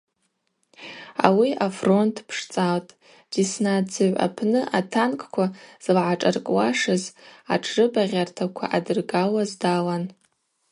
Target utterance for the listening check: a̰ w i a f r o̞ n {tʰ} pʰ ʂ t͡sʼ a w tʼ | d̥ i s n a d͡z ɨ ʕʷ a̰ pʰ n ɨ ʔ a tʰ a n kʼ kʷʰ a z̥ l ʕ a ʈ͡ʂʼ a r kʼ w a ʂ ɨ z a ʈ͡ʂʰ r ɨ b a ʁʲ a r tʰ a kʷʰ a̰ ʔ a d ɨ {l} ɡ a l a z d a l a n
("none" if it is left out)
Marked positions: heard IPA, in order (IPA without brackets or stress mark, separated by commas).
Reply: tʰ, r